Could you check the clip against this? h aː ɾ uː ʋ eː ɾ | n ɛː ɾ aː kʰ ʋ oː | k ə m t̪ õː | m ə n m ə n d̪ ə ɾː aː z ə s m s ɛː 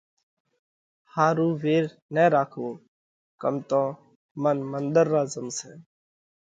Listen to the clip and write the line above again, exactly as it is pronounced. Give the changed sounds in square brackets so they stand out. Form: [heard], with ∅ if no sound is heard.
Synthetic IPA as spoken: h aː ɾ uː ʋ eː ɾ | n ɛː ɾ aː kʰ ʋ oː | k ə m t̪ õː | m ə n m ə n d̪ ə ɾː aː z ə [∅] m s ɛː